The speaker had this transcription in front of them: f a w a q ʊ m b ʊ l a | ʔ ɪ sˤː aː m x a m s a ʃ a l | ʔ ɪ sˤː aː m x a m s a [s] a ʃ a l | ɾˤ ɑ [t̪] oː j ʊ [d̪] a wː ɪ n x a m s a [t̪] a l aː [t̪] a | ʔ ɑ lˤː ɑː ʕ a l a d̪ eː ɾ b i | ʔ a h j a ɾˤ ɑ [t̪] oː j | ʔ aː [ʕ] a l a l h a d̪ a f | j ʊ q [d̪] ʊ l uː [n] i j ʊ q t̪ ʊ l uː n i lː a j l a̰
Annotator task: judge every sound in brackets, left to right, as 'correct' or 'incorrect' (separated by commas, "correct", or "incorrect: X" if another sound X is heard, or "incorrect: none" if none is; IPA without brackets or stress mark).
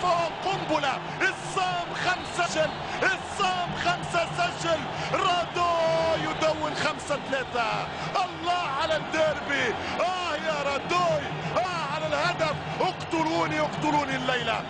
correct, incorrect: d̪, correct, correct, correct, incorrect: d̪, correct, incorrect: t̪, correct